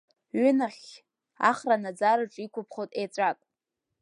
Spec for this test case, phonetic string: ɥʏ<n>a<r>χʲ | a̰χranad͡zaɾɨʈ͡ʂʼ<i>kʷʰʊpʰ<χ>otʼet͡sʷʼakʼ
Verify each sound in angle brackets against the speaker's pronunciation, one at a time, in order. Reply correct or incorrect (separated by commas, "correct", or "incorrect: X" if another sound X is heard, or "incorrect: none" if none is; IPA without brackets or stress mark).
correct, incorrect: none, correct, correct